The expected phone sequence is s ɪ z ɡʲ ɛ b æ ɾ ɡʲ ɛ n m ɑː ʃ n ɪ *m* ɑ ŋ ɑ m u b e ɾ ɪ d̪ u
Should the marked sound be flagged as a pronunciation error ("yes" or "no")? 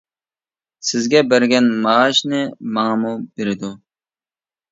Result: no